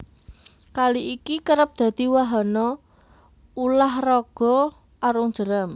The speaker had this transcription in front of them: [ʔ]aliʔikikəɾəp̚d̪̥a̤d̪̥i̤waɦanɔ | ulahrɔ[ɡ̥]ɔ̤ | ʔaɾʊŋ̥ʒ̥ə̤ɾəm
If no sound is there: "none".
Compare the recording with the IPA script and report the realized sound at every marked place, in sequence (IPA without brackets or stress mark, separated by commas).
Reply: k, ɡ̥